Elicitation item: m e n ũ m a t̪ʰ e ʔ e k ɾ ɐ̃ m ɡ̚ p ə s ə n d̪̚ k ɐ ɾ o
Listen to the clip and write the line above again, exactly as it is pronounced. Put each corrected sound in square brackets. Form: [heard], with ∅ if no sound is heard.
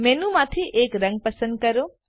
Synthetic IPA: m e n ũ m a t̪ʰ [i] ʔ e k ɾ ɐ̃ [ŋ] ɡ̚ p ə s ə n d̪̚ k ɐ ɾ o